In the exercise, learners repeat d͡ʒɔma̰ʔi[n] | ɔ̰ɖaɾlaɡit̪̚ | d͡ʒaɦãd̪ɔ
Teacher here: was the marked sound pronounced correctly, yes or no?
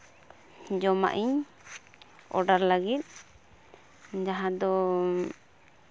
no